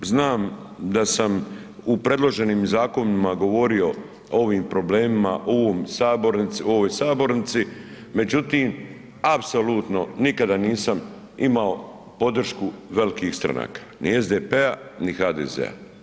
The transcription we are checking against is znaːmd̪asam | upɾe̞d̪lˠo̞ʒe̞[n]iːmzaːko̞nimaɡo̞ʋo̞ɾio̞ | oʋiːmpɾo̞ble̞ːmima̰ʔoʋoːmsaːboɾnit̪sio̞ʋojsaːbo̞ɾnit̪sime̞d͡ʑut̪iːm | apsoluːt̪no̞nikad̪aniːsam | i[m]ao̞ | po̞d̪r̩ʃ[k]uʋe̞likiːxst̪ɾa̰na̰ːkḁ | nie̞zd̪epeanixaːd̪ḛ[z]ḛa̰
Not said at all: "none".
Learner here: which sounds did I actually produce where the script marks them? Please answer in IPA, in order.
n, m, k, z

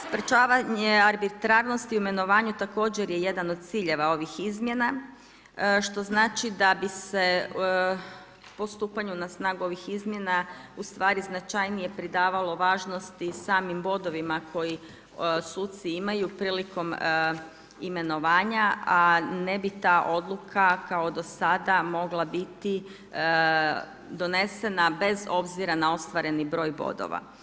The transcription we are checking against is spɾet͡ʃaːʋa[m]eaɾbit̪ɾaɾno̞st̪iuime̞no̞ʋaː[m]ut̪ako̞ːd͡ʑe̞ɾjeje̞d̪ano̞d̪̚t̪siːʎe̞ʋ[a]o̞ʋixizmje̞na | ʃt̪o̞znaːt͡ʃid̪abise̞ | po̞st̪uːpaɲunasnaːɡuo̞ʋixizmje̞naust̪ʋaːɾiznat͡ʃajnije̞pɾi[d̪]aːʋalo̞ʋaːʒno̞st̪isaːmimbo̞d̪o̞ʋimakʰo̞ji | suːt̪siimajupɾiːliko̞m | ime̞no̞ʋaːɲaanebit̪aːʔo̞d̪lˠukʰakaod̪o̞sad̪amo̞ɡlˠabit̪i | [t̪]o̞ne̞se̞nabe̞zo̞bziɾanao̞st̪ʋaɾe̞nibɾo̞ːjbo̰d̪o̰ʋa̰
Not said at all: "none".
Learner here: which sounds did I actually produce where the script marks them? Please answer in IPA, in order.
ɲ, ɲ, a, d̪, d̪

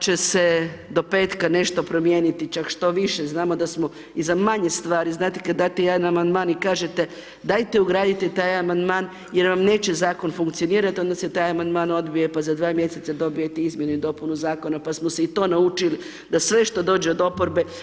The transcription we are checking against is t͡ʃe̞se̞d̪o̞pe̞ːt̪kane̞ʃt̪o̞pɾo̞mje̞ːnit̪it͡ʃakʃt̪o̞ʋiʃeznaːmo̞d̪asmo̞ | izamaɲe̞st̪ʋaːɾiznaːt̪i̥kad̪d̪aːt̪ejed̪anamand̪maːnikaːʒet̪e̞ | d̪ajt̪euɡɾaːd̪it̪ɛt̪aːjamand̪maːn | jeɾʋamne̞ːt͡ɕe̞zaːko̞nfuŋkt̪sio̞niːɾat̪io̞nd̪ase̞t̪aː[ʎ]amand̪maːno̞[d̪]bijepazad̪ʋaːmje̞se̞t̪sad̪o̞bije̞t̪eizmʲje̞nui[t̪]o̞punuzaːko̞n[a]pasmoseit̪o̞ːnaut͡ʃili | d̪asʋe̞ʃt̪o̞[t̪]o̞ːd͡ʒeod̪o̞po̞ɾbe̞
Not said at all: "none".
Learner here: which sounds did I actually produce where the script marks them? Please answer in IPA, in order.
j, d̪, d̪, a, d̪

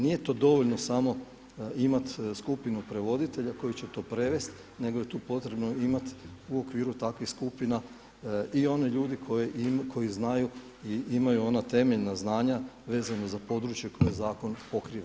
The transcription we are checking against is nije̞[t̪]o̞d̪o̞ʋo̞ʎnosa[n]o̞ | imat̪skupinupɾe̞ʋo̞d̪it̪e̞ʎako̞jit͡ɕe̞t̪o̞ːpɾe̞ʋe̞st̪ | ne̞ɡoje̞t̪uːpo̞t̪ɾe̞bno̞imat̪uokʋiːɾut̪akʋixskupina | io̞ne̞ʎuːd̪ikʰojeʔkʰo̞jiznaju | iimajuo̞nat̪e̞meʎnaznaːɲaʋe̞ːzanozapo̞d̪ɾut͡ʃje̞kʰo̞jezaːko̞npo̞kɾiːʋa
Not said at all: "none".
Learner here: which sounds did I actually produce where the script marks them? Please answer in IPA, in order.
t̪, m

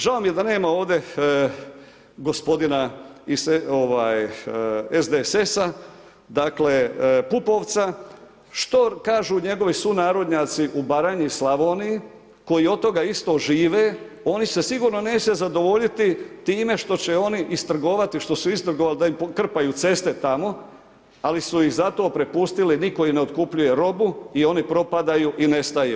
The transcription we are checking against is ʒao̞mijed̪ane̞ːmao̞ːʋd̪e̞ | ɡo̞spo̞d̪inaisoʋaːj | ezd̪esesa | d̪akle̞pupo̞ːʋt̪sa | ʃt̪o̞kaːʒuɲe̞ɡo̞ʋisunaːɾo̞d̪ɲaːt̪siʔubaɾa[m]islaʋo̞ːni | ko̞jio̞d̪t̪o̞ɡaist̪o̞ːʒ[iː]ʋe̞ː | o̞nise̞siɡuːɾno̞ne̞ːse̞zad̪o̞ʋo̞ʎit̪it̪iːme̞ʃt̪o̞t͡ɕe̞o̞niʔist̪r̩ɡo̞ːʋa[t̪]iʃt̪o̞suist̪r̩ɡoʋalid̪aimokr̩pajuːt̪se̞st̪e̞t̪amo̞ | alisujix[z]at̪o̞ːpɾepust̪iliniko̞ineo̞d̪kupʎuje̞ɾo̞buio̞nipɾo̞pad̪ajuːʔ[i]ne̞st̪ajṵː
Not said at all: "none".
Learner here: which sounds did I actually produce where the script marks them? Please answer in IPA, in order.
ɲ, iː, t̪, z, i

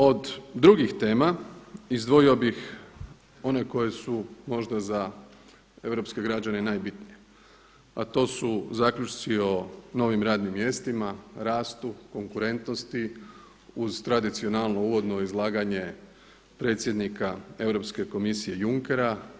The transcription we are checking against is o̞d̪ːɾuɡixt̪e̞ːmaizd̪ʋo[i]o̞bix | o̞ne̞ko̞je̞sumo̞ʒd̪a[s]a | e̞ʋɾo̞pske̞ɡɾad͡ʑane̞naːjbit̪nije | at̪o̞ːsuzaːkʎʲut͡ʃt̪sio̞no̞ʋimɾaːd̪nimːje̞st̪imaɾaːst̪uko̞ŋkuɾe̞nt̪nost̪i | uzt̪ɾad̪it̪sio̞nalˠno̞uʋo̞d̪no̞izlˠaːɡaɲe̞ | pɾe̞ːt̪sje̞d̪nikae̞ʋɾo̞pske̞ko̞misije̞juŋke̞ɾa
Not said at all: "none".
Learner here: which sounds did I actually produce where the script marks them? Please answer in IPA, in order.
i, z

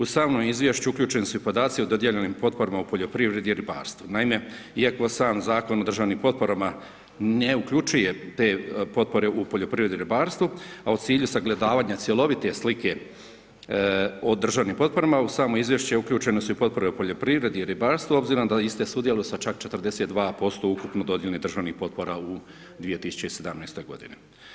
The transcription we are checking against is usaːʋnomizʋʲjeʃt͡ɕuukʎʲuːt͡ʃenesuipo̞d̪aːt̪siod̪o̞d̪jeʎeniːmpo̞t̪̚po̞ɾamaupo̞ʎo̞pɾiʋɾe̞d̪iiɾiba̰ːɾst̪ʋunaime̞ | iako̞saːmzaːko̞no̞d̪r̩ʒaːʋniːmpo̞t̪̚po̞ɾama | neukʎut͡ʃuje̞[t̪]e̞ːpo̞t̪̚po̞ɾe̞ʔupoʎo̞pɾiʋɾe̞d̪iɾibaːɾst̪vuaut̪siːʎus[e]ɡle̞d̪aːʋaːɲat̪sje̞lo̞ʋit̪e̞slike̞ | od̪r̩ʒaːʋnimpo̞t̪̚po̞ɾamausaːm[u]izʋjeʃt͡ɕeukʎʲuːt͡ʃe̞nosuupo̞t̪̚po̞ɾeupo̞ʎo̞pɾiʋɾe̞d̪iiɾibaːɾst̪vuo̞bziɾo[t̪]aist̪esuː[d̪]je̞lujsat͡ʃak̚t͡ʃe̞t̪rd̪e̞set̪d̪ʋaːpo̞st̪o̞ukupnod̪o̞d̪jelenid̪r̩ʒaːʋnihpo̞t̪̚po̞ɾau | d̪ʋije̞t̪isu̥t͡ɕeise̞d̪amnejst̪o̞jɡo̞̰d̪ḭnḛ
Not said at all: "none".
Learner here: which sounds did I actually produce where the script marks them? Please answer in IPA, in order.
t̪, a, o, d̪, d̪

